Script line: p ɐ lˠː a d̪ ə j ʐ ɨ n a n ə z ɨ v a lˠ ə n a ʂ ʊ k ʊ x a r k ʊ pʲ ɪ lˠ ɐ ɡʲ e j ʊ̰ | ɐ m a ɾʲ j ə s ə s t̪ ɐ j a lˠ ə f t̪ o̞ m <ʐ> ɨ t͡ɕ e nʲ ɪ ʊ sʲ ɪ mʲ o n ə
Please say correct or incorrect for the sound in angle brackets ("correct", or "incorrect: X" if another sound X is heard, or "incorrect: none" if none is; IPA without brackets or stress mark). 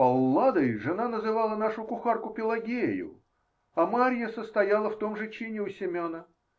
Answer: correct